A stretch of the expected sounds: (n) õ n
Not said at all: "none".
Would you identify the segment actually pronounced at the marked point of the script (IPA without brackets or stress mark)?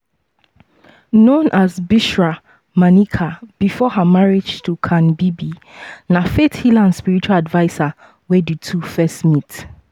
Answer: n